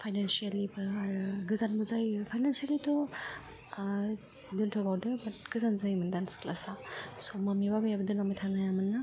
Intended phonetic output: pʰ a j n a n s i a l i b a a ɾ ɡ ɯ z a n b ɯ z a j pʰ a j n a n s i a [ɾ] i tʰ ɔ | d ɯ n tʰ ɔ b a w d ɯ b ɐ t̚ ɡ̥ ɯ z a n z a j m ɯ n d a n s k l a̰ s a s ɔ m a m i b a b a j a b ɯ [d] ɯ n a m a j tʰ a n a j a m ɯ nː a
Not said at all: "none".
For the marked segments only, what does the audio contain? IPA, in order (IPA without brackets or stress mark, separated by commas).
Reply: l, d